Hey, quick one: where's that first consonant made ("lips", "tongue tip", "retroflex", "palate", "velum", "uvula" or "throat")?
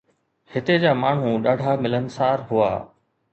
throat